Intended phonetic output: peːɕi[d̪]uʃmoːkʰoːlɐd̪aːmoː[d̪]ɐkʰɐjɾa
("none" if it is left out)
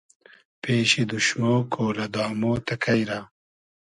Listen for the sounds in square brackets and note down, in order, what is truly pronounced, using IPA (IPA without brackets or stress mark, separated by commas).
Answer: d̪, t̪